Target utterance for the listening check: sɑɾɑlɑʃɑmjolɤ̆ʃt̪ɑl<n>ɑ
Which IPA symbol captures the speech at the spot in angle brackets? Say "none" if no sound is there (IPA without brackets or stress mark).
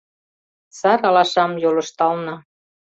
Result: n